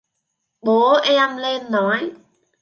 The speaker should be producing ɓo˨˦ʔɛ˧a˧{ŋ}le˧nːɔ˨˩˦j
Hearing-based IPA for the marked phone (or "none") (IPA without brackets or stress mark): m